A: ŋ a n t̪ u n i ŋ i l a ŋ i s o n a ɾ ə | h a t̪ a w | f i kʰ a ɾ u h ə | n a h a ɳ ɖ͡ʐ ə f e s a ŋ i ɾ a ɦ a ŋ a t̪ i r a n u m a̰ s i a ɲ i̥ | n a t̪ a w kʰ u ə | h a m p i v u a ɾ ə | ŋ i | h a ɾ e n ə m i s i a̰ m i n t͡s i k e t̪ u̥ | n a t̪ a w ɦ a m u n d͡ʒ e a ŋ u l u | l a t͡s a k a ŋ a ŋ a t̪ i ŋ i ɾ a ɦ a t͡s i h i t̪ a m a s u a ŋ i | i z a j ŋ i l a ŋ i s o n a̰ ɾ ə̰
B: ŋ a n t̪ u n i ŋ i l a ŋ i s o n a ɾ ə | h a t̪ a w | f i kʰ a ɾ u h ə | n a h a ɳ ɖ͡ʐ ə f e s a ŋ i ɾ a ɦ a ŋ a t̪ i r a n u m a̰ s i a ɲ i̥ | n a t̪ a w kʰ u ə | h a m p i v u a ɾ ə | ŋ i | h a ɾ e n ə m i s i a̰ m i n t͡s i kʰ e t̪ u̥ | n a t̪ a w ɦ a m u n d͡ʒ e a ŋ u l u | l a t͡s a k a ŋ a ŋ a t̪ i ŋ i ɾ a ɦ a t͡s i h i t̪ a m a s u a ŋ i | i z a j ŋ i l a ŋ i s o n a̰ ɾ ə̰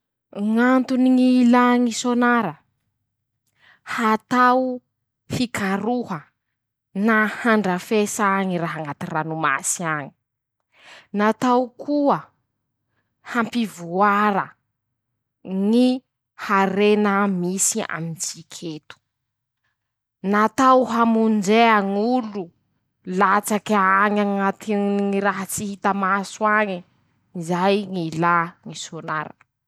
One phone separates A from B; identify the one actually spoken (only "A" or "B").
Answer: B